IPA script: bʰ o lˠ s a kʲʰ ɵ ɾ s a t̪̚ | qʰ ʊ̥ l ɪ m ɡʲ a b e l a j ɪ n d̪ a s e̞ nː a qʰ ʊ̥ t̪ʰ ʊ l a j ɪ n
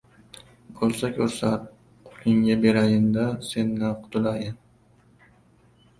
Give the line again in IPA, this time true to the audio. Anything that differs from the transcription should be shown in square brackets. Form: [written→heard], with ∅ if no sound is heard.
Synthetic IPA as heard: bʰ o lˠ s a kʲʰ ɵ ɾ s a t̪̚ | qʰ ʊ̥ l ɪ [m→ŋ] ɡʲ a b e [l→ɾ] a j ɪ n d̪ a s e̞ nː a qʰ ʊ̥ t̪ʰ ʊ l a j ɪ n